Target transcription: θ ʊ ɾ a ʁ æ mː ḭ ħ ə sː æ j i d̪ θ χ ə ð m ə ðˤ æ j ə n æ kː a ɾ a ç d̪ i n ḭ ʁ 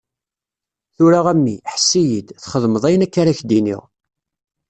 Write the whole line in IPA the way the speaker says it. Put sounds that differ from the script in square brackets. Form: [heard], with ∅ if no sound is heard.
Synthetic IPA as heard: θ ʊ ɾ a ʁ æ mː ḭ ħ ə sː [i] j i d̪ θ χ ə ð m ə ðˤ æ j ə n æ kː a ɾ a ç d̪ i n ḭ ʁ